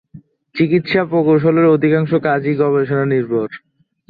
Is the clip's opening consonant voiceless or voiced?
voiceless